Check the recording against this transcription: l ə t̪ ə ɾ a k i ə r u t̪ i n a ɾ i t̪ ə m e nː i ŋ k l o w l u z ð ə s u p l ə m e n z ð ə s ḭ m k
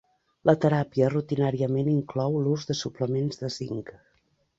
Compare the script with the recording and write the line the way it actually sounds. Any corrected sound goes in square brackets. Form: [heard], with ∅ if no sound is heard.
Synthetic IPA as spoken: l ə t̪ ə ɾ a [p] i ə r u t̪ i n a ɾ i [∅] ə m e [n] i ŋ k l [ɔ] w l u z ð ə s u p l ə m e n z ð ə s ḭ [ŋ] k

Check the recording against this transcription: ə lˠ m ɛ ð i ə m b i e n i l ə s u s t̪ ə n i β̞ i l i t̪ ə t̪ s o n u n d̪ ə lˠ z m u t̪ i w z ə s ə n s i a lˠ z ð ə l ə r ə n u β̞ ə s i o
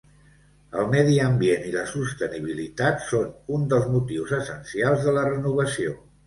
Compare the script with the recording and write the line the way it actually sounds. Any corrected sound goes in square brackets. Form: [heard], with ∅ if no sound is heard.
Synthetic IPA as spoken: ə lˠ m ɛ ð i ə m b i e n i l ə s u s t̪ ə n i β̞ i l i t̪ [a] t̪ s o n u n d̪ ə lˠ z m u t̪ i w z ə s ə n s i a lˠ z ð ə l ə r ə n u β̞ ə s i o

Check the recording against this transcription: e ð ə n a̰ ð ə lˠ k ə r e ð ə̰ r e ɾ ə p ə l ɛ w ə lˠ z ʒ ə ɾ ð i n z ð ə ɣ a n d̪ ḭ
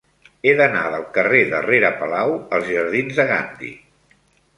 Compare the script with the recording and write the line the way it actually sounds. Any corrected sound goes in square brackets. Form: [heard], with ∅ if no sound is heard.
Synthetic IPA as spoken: e ð ə n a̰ ð ə lˠ k ə r e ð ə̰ r e ɾ ə p ə l [a] w ə lˠ z ʒ ə ɾ ð i n z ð ə ɣ a n d̪ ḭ

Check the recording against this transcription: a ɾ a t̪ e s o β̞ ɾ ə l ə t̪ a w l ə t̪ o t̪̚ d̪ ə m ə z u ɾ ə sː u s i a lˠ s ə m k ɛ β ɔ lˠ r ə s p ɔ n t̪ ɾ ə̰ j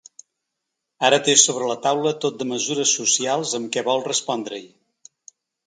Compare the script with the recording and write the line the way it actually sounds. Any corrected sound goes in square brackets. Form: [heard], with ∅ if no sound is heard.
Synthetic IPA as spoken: a ɾ [ə] t̪ e s o β̞ ɾ ə l ə t̪ a w l ə t̪ o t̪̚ d̪ ə m ə z u ɾ ə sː u s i a lˠ [z] ə m k ɛ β ɔ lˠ r ə s p ɔ n [d̪] ɾ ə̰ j

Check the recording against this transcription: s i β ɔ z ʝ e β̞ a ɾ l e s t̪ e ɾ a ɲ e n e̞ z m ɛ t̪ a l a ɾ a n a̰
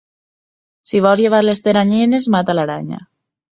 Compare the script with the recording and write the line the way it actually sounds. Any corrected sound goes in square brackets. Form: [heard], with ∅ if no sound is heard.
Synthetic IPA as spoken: s i β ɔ z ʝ e β̞ a ɾ l e s t̪ e ɾ a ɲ e n e̞ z m [a] t̪ a l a ɾ a [ɲ] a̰

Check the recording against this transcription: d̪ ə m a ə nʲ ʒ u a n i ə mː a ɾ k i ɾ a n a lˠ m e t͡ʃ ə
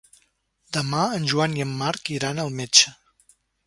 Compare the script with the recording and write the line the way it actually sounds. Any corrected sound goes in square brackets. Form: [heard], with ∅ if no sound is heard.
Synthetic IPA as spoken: d̪ ə m a ə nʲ ʒ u a n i ə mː a ɾ k i ɾ a n [ə] lˠ m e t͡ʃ ə

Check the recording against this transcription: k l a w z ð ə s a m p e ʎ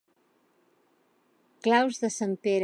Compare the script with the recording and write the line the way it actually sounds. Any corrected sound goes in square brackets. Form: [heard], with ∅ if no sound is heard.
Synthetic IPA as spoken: k l a w z ð ə s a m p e [ɾ]

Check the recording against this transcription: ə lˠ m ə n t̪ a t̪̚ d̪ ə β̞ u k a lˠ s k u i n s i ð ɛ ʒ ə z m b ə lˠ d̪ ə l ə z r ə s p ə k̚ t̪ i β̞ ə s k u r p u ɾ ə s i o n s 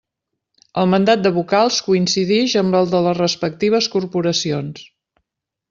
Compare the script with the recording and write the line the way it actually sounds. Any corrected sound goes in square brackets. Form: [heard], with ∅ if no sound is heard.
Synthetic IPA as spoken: ə lˠ m ə n [d̪] a t̪̚ d̪ ə β̞ u k a lˠ s k u i n s i ð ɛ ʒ ə [∅] m b ə lˠ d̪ ə l ə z r ə s p ə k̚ t̪ i β̞ ə s k u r p u ɾ ə s i o n s

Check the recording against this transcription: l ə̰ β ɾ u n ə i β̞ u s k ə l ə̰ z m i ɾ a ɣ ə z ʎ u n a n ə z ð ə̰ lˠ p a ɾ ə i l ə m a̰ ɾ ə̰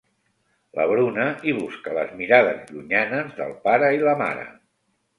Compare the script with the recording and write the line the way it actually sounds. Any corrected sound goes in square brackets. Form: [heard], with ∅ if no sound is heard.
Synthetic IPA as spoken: l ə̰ β ɾ u n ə i β̞ u s k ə l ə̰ z m i ɾ a [ð] ə z ʎ u [ɲ] a n ə z ð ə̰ lˠ p a ɾ ə i l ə m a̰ ɾ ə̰

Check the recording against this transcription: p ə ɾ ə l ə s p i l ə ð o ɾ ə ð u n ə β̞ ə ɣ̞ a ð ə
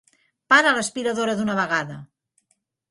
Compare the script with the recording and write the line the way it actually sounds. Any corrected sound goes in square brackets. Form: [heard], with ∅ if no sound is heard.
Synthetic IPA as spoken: p [a] ɾ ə l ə s p i [ɾ] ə ð o ɾ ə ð u n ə β̞ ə ɣ̞ a ð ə

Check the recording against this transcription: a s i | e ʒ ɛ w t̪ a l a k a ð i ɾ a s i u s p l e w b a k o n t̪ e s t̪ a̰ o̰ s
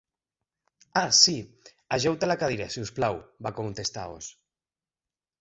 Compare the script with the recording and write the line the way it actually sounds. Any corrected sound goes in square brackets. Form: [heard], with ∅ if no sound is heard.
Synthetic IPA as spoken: a s i | [a] ʒ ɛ w t̪ a l a k a ð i ɾ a s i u s p l [a] w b a k o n t̪ e s t̪ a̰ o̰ s

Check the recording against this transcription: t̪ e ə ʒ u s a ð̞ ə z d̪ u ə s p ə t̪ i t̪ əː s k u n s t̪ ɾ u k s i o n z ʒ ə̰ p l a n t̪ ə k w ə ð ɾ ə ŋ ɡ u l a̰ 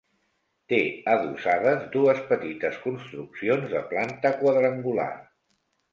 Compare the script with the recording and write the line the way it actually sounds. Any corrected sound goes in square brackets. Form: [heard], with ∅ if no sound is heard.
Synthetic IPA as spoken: t̪ e ə [ð] u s a ð̞ ə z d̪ u ə s p ə t̪ i t̪ [ə] s k u n s t̪ ɾ u k s i o n z [ð] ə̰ p l a n t̪ ə k w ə ð ɾ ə ŋ ɡ u l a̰

